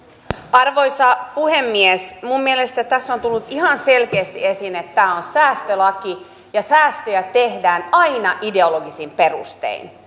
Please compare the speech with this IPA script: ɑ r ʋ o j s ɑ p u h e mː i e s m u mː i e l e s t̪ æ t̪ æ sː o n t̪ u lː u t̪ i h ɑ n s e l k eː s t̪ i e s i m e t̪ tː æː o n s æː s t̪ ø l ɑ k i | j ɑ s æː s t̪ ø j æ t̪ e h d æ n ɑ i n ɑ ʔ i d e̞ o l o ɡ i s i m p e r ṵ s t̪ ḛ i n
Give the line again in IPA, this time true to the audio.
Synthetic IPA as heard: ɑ r ʋ o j s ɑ p u h e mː i e s m u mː i e l e s t̪ æ t̪ æ sː o n t̪ u lː u t̪ i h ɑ n s e l k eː s t̪ i e s i n e t̪ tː æː o n s æː s t̪ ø l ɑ k i | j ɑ s æː s t̪ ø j æ t̪ e h d æː n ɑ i n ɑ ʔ i d e̞ o l o ɡ i s i m p e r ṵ s t̪ ḛ i n